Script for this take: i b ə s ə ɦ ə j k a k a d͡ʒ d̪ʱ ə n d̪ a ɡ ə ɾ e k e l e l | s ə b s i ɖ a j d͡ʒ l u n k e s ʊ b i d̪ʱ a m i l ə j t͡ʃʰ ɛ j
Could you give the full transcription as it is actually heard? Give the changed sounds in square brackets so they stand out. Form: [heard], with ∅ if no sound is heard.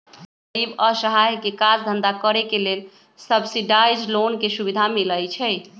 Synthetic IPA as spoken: i b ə s ə ɦ [a] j k [e] k a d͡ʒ d̪ʱ ə n d̪ a [k] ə ɾ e k e l e l | s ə b s i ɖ a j d͡ʒ l [o] n k e s [u] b i d̪ʱ a m i l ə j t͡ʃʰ ɛ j